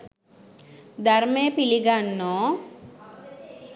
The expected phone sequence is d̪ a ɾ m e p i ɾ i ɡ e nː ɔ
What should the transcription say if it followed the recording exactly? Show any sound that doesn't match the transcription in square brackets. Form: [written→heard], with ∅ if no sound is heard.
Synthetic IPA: d̪ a ɾ m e p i [ɾ→l] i ɡ [e→a] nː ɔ